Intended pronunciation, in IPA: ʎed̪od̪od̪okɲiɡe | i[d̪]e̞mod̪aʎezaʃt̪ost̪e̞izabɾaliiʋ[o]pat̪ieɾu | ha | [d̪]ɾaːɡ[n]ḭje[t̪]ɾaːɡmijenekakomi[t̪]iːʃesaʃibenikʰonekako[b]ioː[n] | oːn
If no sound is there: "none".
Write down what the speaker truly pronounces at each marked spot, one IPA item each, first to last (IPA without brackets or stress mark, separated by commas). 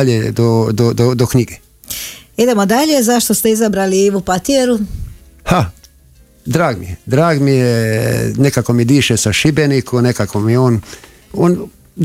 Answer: d̪, u, d̪, m, d̪, d̪, m, n